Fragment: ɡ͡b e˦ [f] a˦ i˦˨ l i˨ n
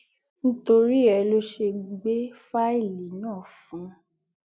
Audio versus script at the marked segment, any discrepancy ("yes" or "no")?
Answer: no